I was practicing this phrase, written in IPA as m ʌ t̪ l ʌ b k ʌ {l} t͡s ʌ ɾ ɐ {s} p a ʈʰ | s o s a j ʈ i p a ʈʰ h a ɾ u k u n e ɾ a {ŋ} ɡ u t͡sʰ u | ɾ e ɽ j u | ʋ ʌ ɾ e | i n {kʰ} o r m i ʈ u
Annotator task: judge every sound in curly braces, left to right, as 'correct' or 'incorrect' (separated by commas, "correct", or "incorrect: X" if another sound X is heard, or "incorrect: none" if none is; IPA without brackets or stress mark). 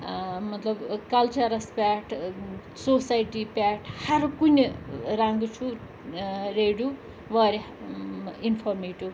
correct, correct, correct, incorrect: pʰ